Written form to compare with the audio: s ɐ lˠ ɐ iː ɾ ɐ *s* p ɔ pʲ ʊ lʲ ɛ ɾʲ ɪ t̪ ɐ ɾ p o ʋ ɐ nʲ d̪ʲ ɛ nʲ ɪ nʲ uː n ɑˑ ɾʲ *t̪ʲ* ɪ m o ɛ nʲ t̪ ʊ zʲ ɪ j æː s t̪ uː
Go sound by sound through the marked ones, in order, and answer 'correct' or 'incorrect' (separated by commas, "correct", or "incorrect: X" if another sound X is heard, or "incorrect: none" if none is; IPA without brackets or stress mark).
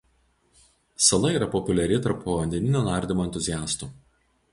incorrect: none, incorrect: d̪ʲ